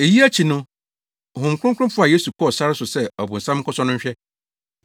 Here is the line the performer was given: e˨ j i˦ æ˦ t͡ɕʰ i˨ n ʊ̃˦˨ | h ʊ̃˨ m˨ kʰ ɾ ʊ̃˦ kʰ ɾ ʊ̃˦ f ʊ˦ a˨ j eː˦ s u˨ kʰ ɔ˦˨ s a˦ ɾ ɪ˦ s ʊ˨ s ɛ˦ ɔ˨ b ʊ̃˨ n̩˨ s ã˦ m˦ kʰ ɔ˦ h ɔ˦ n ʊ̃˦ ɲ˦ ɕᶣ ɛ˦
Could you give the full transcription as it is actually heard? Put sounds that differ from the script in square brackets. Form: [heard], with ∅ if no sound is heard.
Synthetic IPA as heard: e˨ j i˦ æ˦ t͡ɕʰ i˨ n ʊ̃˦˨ | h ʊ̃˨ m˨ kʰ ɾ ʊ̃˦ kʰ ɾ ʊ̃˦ f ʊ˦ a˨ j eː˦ s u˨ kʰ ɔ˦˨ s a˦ ɾ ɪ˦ s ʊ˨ s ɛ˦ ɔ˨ b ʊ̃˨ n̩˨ s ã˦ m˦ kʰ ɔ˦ [s] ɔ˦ n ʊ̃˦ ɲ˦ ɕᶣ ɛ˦